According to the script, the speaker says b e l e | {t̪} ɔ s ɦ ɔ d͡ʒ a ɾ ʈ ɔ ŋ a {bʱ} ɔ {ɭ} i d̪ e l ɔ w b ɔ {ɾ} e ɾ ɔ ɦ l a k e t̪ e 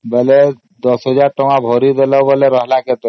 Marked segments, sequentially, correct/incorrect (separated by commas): incorrect, correct, incorrect, incorrect